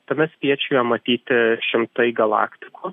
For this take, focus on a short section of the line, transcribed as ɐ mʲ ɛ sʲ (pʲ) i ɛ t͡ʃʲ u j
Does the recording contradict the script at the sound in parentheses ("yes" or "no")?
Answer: no